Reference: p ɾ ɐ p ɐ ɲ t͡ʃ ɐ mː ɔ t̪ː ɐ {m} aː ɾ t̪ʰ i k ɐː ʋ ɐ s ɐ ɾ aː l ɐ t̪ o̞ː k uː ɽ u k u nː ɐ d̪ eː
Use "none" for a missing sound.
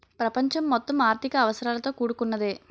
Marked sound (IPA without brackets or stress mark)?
m